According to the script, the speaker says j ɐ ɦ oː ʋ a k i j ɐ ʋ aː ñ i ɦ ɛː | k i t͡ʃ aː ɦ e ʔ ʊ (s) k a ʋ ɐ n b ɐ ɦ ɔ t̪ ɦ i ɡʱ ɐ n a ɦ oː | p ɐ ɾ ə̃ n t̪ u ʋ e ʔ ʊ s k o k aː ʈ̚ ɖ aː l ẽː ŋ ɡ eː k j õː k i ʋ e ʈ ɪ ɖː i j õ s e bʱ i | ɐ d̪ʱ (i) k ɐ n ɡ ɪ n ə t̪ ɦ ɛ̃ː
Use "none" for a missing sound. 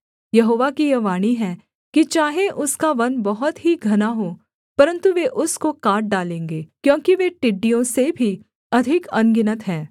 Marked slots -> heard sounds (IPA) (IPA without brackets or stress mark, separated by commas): s, ɪ